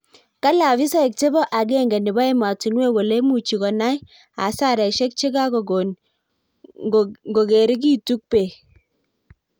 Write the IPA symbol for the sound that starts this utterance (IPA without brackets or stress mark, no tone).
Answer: k